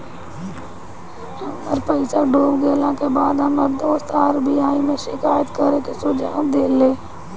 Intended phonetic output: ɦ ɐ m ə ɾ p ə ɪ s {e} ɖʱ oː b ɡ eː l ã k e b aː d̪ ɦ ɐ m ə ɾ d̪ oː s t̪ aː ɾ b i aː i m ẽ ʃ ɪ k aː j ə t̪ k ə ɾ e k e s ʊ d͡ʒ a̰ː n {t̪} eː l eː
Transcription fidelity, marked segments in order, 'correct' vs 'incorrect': incorrect: a, incorrect: d̪

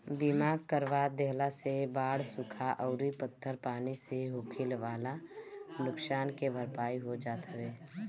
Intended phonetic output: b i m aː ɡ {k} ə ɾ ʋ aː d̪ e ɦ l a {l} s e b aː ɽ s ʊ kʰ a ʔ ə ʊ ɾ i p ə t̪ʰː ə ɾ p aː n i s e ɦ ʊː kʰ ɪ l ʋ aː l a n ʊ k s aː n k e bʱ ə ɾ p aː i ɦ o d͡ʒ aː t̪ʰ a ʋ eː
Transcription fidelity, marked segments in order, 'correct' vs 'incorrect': correct, incorrect: none

